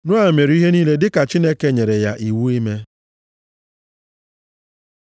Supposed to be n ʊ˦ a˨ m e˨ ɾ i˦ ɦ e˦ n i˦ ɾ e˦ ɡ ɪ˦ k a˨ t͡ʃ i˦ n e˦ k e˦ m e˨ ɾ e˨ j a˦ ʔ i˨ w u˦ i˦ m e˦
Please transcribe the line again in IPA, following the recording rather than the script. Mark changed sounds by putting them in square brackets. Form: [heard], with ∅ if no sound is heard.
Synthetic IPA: n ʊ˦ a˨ m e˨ ɾ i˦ ɦ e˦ n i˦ [l] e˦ [d] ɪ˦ k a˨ t͡ʃ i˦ n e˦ k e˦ [ɲ] e˨ ɾ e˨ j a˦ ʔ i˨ w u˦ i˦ m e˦